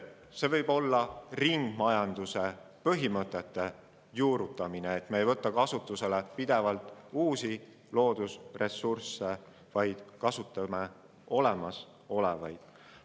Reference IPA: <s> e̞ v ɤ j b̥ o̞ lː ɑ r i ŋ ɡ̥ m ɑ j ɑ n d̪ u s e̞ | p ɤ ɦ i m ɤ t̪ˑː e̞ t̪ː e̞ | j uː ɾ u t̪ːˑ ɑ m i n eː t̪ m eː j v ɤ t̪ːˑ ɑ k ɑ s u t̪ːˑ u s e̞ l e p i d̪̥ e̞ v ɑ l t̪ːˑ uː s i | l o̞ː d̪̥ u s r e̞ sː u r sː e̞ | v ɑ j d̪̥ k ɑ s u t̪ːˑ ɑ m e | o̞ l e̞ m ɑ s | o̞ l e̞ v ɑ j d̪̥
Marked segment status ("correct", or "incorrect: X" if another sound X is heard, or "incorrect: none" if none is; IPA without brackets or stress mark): correct